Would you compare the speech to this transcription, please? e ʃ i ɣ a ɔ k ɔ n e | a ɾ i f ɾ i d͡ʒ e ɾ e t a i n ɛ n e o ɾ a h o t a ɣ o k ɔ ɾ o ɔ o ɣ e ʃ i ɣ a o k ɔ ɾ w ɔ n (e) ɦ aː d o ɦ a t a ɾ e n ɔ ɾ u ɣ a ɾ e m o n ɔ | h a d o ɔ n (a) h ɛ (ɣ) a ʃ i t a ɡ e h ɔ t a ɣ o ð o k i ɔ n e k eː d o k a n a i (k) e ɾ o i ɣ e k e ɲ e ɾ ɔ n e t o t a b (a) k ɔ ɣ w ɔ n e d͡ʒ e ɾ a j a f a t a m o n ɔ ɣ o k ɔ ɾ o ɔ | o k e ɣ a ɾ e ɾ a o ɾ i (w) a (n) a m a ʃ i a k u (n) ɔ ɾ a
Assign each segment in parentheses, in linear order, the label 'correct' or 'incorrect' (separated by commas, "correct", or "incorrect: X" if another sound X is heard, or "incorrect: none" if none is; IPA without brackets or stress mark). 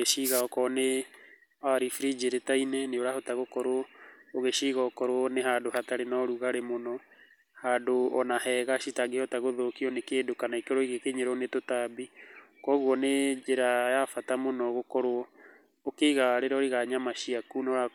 correct, correct, correct, correct, incorrect: i, incorrect: ɣ, incorrect: ɲ, correct